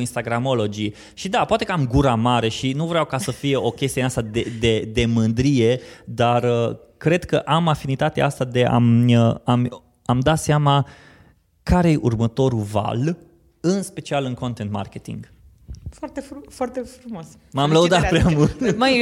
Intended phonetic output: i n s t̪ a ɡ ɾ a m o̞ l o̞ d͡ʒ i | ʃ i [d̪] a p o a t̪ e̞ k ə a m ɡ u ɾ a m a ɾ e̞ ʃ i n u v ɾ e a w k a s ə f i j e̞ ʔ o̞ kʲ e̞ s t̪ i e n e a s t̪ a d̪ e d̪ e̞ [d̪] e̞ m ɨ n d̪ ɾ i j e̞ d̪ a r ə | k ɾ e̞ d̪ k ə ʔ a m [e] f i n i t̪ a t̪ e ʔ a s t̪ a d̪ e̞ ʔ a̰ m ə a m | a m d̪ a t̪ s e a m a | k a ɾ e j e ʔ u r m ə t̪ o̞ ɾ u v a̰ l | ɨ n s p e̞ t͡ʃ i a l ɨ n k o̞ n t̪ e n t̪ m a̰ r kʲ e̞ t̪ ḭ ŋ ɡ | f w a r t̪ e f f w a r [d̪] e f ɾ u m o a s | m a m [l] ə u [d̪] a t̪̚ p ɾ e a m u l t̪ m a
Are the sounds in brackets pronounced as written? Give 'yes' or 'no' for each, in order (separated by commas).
yes, yes, no, no, yes, yes